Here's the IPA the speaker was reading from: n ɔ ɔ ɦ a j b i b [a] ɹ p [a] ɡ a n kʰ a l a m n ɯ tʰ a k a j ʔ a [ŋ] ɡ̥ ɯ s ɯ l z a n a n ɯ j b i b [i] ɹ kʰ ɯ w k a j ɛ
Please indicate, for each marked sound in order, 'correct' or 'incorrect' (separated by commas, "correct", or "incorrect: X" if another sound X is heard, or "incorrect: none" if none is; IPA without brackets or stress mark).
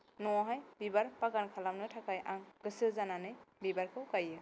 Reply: correct, correct, correct, incorrect: a